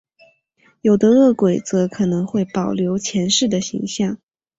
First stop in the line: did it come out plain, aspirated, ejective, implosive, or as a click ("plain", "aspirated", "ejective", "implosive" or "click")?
plain